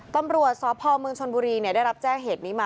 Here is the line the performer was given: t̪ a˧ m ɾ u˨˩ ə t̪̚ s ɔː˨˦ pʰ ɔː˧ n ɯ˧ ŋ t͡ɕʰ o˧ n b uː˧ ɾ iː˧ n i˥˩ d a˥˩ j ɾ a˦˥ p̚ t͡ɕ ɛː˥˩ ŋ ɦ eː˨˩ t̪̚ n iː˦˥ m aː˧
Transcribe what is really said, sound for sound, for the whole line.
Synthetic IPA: t̪ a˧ m ɾ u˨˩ ə t̪̚ s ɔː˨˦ pʰ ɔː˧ m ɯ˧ ŋ t͡ɕʰ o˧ n b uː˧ ɾ iː˧ n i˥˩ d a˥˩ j ɾ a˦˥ p̚ t͡ɕ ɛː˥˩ ŋ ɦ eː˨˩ t̪̚ n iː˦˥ m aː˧